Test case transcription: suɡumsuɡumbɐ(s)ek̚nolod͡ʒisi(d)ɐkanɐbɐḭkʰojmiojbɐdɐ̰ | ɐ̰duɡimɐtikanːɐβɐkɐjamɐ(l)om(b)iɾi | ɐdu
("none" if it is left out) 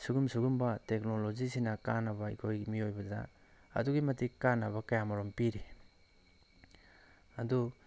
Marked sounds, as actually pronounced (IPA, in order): t, n, ɾ, p

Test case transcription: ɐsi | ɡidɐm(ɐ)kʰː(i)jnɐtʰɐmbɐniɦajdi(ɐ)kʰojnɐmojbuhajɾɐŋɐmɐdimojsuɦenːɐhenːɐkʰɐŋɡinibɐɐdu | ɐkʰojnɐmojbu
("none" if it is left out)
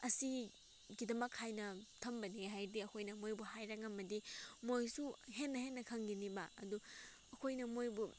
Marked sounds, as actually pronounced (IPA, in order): ɐ, a, ɐ

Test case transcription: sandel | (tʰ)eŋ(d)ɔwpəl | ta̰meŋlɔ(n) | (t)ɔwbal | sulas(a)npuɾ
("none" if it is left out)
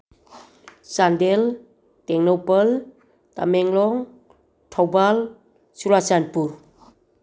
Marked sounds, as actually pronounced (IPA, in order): t, n, ŋ, tʰ, a

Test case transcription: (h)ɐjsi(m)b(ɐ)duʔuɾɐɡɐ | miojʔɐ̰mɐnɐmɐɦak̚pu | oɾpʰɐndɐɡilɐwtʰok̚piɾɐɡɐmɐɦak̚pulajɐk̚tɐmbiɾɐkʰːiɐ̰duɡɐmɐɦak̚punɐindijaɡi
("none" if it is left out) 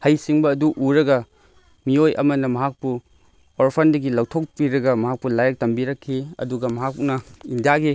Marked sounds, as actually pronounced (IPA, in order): h, ŋ, ɐː

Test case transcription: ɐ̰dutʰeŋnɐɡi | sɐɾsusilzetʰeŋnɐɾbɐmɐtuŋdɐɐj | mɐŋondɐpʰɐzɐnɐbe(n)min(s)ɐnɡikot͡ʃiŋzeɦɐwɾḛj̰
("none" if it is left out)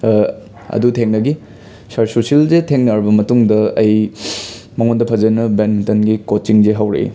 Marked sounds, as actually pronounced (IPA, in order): n, t

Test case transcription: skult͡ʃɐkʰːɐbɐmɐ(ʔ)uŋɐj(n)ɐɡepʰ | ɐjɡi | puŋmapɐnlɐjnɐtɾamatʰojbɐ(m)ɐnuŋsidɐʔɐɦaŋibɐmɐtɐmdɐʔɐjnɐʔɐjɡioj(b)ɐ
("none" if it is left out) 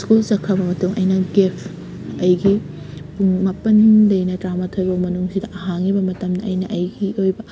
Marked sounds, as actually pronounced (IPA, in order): t, n, m, b

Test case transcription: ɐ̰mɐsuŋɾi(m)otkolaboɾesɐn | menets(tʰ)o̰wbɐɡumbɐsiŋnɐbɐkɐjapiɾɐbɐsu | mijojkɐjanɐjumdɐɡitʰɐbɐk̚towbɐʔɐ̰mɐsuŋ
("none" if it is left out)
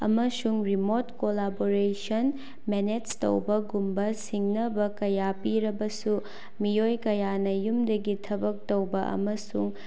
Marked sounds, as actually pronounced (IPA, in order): m, t

